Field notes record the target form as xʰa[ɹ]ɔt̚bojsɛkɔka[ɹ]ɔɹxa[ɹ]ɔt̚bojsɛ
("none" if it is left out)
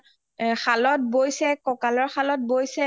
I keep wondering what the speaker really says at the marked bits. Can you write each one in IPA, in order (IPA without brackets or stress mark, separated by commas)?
l, l, l